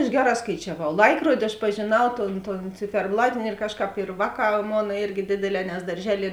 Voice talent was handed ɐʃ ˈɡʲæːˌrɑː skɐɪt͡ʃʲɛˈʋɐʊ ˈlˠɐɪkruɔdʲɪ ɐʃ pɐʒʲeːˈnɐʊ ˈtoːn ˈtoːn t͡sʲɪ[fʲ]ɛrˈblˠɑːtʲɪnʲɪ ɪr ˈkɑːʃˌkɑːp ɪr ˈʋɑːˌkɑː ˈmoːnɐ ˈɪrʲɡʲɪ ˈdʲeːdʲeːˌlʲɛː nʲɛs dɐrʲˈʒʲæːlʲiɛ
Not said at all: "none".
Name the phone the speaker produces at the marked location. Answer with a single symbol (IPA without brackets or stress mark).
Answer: fʲ